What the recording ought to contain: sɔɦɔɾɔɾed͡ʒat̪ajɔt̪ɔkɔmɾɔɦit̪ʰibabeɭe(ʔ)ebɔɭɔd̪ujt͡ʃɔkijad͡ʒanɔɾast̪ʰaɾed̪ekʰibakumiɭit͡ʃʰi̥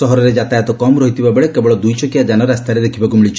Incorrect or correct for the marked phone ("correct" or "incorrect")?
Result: incorrect